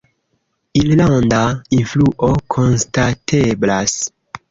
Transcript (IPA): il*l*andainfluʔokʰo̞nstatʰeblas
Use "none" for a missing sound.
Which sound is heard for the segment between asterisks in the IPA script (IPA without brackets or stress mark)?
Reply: l